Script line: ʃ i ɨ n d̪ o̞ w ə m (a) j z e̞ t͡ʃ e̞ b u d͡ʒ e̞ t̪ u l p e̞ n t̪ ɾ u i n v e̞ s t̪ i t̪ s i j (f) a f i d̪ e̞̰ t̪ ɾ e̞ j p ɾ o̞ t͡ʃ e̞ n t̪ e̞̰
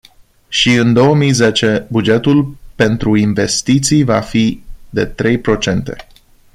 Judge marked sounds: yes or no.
no, no

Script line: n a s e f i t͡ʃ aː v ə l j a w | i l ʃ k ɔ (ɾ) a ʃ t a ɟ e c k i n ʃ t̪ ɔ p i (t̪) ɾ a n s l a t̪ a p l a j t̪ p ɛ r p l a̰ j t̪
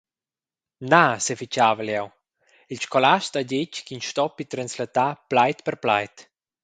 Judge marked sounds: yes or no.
no, yes

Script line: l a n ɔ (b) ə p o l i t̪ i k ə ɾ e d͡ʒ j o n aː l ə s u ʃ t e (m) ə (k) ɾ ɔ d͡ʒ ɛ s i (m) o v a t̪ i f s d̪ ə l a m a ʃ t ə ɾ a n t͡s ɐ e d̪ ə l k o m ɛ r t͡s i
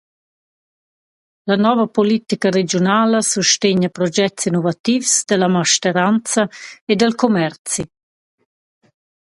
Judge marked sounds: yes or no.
no, no, no, no

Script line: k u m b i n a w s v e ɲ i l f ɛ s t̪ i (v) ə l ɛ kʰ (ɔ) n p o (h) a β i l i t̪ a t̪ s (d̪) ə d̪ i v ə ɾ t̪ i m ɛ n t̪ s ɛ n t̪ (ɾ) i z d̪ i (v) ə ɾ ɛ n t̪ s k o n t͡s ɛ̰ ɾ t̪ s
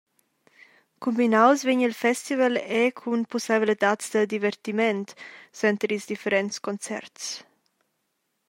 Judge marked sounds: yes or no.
yes, no, no, yes, yes, no

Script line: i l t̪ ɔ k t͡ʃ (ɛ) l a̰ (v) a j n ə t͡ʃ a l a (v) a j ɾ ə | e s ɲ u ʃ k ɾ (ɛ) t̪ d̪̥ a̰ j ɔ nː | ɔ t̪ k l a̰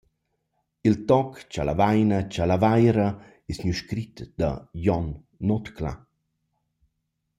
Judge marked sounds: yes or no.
no, yes, yes, no

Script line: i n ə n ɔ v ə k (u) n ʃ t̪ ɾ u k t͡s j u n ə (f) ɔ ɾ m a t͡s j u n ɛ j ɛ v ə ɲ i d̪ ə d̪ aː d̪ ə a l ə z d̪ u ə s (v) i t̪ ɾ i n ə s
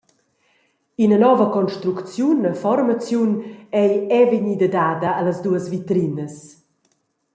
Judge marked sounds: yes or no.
no, yes, yes

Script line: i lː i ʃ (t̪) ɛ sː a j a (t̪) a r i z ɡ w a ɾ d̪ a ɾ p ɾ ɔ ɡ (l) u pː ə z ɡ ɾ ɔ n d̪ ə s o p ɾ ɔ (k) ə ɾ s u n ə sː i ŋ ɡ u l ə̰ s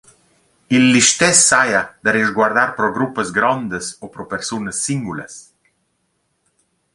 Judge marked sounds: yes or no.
yes, no, no, no

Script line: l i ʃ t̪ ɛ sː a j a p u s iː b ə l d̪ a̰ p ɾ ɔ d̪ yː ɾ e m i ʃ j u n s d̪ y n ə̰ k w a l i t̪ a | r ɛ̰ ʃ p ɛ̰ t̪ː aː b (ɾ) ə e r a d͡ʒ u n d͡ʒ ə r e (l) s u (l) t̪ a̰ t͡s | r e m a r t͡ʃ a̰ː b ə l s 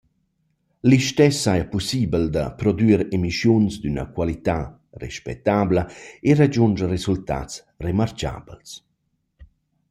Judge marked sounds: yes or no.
no, no, yes

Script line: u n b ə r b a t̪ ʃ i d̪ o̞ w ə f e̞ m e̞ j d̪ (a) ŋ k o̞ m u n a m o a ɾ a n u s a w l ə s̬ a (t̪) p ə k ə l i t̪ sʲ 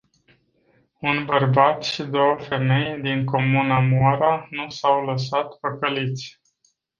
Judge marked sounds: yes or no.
no, yes

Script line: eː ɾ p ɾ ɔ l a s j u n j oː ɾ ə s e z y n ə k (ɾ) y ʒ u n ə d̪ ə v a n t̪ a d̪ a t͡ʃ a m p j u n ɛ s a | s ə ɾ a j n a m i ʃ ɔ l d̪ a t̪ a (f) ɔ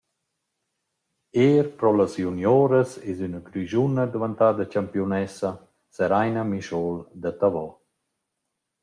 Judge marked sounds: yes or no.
yes, no

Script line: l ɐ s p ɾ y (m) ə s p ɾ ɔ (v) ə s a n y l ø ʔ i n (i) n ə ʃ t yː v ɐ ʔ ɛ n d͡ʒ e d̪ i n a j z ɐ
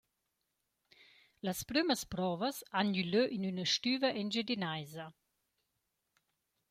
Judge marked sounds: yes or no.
yes, yes, no

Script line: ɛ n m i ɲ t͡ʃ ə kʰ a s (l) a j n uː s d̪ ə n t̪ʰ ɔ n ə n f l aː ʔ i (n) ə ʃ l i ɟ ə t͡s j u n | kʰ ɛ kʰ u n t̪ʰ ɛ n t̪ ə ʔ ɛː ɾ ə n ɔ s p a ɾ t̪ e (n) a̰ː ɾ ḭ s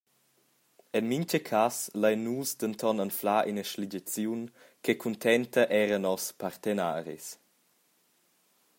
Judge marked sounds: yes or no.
yes, yes, yes

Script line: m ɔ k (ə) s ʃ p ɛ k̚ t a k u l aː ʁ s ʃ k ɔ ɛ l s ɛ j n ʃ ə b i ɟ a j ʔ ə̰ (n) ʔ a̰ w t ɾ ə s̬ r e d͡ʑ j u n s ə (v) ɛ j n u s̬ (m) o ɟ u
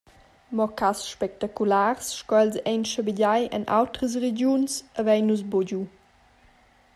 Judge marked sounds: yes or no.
no, yes, yes, no

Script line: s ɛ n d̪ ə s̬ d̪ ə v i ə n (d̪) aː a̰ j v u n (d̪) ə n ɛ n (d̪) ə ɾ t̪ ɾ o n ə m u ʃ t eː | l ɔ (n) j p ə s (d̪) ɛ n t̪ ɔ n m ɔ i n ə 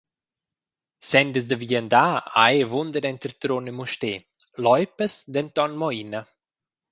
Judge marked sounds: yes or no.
yes, yes, no, no, yes

